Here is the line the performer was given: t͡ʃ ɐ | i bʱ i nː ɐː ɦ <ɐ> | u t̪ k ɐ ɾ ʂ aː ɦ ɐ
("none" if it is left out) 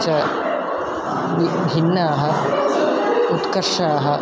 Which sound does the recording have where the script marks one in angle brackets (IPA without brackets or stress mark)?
ɐ